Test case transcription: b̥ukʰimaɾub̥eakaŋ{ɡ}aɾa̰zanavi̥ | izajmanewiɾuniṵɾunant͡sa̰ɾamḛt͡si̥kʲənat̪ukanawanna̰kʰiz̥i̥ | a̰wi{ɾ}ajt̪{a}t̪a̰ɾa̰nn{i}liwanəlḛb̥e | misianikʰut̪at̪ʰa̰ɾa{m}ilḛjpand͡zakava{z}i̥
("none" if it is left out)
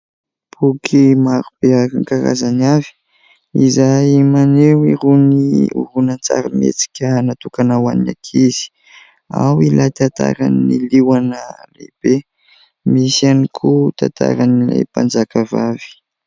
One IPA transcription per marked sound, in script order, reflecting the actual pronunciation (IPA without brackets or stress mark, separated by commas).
k, l, a, i, n, v